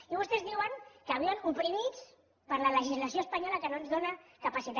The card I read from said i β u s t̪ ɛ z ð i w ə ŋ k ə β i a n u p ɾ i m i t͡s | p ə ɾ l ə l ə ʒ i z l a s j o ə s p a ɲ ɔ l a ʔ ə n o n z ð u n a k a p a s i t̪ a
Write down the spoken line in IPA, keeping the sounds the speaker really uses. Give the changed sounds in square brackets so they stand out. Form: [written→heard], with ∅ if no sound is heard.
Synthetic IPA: i β u s t̪ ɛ z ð i w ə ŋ k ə β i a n u p ɾ i m i t͡s | p ə ɾ l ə l ə ʒ i z l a s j o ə s p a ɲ ɔ l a [ʔ→k] ə n o n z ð [u→o] n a k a p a s i t̪ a